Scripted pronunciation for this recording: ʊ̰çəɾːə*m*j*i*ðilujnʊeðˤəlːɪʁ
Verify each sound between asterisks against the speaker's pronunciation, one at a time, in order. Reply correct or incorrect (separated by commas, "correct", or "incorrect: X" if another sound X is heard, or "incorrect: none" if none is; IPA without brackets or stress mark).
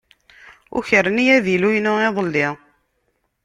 incorrect: n, incorrect: æ